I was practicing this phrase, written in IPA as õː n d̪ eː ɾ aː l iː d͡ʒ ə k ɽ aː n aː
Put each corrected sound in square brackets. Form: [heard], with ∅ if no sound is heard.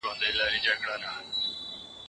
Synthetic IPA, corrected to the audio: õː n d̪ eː [l] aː [ɾ] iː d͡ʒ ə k ɽ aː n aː